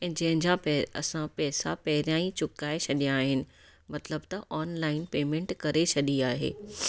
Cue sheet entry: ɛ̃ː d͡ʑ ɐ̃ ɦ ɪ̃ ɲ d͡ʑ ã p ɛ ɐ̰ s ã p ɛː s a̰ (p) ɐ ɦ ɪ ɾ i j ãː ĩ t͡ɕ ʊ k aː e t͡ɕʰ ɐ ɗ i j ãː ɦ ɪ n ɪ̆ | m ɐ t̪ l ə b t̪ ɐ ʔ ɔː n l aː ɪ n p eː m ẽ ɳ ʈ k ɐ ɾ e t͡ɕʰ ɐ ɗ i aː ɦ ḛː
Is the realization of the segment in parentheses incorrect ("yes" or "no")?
no